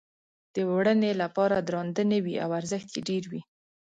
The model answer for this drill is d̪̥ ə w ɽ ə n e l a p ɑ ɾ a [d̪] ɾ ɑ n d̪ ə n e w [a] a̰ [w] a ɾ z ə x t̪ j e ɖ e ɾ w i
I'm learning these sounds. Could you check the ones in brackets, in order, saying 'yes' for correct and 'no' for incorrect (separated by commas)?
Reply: yes, no, yes